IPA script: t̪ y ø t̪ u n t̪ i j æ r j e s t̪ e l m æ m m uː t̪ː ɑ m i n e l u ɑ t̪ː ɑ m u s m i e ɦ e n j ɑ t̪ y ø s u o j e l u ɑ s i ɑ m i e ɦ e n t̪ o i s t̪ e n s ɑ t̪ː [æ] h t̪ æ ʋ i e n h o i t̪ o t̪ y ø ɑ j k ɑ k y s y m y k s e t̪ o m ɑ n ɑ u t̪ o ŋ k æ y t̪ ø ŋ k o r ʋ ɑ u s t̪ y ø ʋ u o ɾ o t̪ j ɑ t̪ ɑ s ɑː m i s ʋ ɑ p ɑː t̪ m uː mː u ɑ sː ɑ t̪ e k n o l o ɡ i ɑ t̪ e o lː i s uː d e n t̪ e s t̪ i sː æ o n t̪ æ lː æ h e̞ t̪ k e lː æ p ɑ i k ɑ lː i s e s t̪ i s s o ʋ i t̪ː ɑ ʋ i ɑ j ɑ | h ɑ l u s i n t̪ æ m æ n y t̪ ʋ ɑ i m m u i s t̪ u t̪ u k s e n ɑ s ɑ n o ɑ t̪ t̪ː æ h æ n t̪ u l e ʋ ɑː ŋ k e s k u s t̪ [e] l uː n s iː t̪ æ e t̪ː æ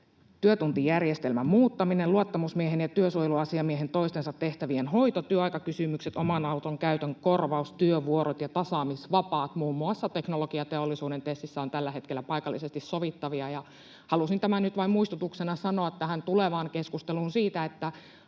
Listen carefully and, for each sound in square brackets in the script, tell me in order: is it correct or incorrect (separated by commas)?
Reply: incorrect, correct